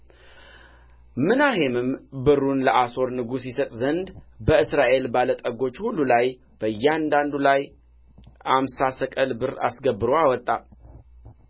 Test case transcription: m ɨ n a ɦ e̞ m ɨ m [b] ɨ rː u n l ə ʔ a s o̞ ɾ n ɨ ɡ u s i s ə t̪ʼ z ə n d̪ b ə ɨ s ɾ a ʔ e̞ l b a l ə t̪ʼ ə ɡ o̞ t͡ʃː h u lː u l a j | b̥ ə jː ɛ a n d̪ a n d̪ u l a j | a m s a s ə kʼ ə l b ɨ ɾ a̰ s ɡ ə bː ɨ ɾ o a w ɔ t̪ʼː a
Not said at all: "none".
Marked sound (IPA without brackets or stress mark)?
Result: b